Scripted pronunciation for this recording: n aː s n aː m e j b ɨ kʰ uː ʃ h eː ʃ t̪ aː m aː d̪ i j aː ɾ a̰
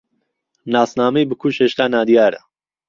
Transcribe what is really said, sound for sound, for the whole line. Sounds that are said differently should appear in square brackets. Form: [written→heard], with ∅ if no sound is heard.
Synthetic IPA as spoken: n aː s n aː m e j b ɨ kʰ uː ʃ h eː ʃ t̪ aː [m→n] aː d̪ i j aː ɾ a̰